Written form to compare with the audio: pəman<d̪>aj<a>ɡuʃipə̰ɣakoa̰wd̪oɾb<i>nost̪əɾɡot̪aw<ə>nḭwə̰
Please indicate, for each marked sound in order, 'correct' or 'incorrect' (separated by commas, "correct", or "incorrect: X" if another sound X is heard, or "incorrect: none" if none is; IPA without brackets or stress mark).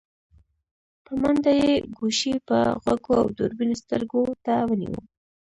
correct, incorrect: e, correct, correct